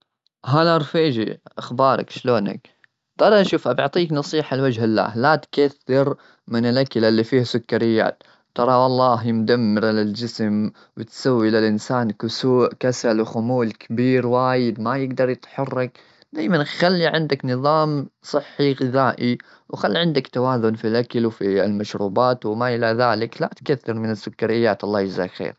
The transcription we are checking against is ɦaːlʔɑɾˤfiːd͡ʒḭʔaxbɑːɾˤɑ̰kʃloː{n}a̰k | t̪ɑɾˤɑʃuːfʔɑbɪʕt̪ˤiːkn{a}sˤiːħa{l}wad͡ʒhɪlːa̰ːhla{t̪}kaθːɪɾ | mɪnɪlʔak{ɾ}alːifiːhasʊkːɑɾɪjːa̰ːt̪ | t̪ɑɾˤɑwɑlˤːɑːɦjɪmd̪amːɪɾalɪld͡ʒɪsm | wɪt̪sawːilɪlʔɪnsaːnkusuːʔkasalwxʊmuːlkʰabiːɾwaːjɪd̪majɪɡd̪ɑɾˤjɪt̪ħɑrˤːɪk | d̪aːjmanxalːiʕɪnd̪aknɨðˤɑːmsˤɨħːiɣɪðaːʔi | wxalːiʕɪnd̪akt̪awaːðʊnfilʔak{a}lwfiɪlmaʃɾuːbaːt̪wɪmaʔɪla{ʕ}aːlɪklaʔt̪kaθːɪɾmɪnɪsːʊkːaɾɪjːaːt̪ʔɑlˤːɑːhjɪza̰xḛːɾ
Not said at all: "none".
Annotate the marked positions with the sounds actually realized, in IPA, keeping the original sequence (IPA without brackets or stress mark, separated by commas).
n, ɑ, l, t̪, l, a, ð